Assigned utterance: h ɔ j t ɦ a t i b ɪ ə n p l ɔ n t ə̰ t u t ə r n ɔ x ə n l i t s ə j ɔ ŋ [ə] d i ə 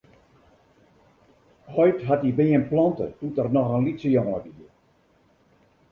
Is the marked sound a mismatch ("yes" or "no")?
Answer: no